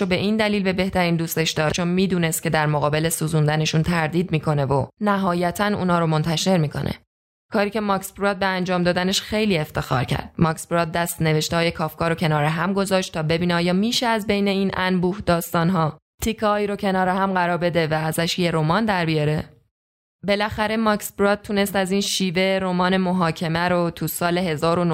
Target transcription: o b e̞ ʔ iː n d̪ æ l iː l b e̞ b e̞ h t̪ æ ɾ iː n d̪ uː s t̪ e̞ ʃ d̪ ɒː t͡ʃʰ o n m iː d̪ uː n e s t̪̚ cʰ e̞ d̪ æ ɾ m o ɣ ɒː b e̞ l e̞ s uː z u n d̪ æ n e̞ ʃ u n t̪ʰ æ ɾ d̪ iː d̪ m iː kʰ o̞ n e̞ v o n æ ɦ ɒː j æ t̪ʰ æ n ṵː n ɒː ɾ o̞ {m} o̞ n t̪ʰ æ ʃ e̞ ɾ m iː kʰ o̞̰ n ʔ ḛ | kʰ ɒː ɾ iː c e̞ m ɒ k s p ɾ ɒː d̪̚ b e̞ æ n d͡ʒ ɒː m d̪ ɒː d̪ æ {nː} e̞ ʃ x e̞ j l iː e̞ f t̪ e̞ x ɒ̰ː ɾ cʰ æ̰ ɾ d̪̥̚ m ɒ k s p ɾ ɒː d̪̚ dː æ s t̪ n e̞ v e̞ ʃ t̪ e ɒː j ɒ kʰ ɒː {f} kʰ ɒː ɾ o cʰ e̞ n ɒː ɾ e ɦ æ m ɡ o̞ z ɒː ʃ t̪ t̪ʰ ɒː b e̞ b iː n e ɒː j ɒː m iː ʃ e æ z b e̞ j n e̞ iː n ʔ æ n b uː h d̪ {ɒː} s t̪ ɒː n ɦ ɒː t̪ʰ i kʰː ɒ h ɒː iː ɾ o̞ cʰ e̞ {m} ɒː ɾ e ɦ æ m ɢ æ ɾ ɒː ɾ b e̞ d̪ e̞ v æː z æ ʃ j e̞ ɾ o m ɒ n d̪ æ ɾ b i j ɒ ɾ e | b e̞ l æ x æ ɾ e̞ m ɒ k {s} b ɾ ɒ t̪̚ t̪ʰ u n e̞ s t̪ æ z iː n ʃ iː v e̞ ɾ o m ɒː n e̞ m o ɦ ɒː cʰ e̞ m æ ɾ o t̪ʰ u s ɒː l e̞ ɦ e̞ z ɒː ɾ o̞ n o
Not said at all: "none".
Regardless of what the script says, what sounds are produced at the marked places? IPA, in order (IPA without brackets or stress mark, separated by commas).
m, n, f, ɒː, n, s